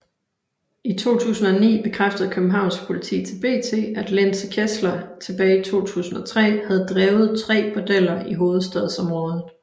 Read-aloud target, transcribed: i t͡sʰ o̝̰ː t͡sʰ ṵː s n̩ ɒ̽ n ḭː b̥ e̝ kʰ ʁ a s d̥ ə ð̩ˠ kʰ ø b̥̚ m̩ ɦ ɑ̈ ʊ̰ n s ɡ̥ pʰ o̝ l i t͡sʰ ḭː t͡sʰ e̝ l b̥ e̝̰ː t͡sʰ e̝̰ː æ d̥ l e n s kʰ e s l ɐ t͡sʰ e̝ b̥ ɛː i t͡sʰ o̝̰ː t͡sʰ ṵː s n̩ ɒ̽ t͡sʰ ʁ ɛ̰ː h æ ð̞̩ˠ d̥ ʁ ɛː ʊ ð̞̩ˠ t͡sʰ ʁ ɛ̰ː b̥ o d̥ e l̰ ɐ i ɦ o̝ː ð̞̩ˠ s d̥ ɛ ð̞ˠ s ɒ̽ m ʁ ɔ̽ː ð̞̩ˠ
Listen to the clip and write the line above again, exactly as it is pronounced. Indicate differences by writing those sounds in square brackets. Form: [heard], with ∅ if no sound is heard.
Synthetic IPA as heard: i t͡sʰ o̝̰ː t͡sʰ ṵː s n̩ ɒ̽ n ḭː b̥ e̝ kʰ ʁ a [f] d̥ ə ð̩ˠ kʰ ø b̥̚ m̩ ɦ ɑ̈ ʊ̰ n s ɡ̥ pʰ o̝ l i t͡sʰ ḭː t͡sʰ e̝ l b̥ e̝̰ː t͡sʰ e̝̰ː æ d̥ l e n s kʰ e s l ɐ t͡sʰ e̝ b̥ ɛː i t͡sʰ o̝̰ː t͡sʰ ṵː s n̩ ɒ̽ t͡sʰ ʁ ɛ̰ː h æ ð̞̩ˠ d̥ ʁ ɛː ʊ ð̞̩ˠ t͡sʰ ʁ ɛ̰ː b̥ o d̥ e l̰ ɐ i ɦ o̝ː ð̞̩ˠ s d̥ ɛ ð̞ˠ s ɒ̽ m ʁ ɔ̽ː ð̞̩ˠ

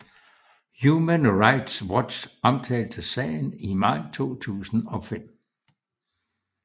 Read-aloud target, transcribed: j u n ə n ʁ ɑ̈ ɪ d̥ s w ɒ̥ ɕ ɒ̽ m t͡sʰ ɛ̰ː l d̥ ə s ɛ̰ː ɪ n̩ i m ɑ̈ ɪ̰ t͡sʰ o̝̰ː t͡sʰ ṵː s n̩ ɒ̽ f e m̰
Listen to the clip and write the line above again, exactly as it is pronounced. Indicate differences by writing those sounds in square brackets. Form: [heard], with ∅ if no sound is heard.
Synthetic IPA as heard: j u [m] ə n ʁ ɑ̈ ɪ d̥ s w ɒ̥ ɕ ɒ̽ m t͡sʰ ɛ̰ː l d̥ ə s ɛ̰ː ɪ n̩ i m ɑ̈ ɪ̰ t͡sʰ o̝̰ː t͡sʰ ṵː s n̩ ɒ̽ f e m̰

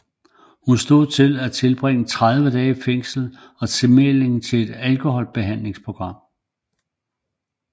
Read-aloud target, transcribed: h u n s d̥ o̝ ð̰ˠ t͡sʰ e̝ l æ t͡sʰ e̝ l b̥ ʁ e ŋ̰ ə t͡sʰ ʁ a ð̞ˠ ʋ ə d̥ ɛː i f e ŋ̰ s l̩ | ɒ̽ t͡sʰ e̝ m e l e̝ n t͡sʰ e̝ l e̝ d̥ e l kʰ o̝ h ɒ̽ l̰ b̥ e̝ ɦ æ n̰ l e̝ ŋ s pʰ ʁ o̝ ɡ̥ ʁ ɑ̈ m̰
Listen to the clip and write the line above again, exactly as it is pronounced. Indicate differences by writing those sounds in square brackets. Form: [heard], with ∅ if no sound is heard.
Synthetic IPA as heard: h u n s d̥ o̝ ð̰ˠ t͡sʰ e̝ l æ t͡sʰ e̝ l b̥ ʁ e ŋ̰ ə t͡sʰ ʁ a ð̞ˠ ʋ ə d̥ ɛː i f e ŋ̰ s l̩ | ɒ̽ t͡sʰ e̝ m e l e̝ [ŋ] t͡sʰ e̝ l e̝ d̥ [æ] l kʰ o̝ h ɒ̽ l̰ b̥ e̝ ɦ æ n̰ l e̝ ŋ s pʰ ʁ o̝ ɡ̥ ʁ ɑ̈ m̰

